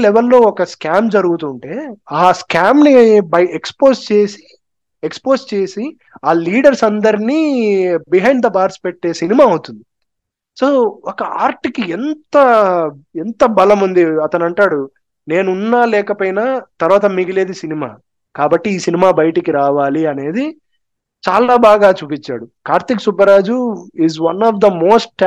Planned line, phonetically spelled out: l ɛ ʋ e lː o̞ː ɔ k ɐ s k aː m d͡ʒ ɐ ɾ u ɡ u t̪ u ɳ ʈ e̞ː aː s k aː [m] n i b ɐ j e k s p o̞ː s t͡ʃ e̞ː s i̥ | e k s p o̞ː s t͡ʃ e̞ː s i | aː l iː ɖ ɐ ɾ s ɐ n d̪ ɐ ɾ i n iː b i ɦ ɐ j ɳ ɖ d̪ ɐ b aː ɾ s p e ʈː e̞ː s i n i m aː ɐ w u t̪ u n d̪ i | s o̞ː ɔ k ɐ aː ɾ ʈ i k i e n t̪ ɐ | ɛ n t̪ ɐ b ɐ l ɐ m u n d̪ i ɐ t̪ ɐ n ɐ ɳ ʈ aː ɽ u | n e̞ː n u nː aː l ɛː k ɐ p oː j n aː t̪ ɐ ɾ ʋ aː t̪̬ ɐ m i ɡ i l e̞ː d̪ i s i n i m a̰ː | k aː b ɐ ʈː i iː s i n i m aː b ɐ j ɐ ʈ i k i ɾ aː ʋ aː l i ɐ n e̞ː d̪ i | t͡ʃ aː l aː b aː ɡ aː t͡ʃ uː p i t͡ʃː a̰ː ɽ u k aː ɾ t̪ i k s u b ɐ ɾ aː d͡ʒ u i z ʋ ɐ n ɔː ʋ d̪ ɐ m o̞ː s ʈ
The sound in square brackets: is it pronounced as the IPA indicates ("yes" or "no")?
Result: yes